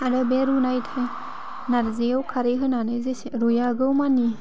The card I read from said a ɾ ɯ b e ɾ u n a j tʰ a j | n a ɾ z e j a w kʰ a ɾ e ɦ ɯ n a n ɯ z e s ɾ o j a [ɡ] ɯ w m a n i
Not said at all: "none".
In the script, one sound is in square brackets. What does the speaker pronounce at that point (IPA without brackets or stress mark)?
ɡ